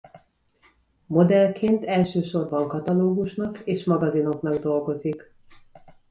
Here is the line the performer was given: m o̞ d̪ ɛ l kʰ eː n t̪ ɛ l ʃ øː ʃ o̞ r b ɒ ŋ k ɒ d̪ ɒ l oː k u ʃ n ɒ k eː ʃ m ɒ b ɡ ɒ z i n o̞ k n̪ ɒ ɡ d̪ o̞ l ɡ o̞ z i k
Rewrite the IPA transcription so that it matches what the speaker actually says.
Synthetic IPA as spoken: m o̞ d̪ ɛ l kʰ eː n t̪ ɛ l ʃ øː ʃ o̞ r b ɒ ŋ k ɒ t̪ ɒ l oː ɡ u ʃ n ɒ k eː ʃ m ɒ ɡ ɒ z i n o̞ k n̪ ɒ ɡ d̪ o̞ l ɡ o̞ z i k